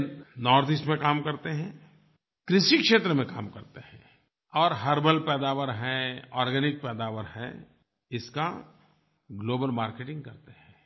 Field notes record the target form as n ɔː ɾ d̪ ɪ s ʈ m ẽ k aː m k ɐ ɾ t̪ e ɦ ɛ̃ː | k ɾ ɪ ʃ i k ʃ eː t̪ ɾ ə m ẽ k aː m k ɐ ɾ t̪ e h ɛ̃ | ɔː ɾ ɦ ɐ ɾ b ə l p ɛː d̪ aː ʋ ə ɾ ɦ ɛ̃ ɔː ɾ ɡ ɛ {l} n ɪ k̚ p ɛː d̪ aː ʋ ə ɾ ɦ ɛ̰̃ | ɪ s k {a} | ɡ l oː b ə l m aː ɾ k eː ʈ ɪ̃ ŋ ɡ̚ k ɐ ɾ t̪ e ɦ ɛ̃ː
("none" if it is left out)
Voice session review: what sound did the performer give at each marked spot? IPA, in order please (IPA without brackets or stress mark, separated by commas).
none, a